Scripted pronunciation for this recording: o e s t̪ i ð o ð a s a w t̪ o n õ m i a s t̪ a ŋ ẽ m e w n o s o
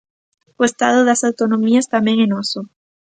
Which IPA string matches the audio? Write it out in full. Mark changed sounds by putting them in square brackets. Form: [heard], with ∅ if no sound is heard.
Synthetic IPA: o e s t̪ [a] ð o ð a s a w t̪ o n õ m i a s t̪ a [m] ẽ [ŋ] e [∅] n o s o